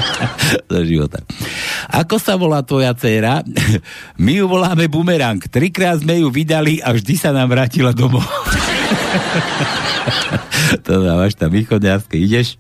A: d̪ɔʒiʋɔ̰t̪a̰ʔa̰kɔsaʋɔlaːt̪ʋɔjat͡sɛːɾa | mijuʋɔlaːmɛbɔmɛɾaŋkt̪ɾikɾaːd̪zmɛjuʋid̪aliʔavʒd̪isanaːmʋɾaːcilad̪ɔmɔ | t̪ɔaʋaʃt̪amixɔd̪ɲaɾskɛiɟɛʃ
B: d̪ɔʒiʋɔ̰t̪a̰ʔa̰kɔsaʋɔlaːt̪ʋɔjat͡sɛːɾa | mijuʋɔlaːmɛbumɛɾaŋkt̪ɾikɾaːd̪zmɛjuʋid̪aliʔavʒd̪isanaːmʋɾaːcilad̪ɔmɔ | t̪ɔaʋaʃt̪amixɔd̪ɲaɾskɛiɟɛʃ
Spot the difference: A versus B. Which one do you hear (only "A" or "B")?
B